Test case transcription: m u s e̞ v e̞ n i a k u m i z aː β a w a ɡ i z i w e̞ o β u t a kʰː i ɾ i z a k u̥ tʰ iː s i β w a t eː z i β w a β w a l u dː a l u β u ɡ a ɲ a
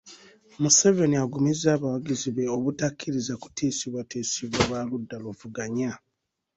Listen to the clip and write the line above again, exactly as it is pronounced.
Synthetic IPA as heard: m u s e̞ v e̞ n i a ɡ u m i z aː β a w a ɡ i z i β e̞ o β u t a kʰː i ɾ i z a k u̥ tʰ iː s i β w a t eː s i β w a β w a l u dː a l u v u ɡ a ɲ a